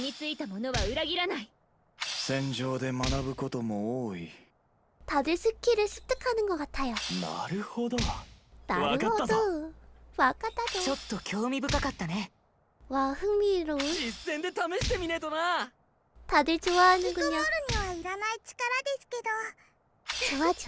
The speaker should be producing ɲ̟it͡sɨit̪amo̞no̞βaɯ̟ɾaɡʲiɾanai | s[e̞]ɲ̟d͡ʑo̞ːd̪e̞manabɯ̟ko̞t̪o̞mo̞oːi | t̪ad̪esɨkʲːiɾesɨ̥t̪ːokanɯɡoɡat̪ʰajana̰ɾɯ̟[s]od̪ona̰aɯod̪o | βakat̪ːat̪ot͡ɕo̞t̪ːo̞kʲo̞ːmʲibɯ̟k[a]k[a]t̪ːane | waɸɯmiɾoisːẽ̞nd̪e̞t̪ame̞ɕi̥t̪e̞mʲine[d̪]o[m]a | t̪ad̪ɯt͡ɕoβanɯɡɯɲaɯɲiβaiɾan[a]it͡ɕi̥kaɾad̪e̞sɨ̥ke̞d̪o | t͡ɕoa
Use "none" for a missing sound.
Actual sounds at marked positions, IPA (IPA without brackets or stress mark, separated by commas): ẽ̞, h, a, a, t̪, n, a